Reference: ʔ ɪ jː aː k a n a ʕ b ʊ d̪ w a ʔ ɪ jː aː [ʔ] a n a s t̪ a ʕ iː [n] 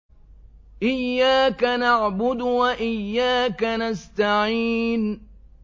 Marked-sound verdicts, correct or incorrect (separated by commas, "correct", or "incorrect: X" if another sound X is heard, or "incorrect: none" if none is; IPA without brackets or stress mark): incorrect: k, correct